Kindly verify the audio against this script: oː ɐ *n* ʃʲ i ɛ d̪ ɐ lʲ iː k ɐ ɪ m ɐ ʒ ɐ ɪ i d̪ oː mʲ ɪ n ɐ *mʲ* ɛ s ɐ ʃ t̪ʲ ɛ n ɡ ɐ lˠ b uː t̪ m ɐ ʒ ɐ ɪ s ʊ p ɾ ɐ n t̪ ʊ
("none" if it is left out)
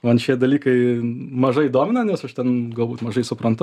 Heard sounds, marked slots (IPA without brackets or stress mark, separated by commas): n, nʲ